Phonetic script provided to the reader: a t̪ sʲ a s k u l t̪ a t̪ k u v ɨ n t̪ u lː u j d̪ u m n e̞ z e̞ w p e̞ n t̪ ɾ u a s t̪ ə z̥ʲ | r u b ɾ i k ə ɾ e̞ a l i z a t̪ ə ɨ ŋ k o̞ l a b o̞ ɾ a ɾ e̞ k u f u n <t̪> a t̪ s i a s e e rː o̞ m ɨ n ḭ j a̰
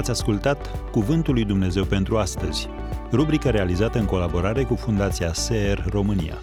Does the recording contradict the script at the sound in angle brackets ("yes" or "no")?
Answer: yes